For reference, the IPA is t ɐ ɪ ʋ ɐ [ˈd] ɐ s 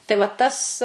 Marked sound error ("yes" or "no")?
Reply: yes